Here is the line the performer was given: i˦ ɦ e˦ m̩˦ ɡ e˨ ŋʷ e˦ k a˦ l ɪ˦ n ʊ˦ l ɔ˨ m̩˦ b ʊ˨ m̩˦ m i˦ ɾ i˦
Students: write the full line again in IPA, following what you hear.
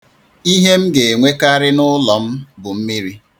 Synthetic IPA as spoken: i˦ ɦ e˦ m̩˦ ɡ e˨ ŋʷ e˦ k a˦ ɾ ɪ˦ n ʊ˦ l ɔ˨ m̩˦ b ʊ˨ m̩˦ m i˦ ɾ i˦